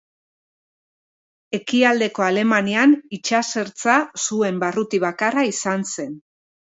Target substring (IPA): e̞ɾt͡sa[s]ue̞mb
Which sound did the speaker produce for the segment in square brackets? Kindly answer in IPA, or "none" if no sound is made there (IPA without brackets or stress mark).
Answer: s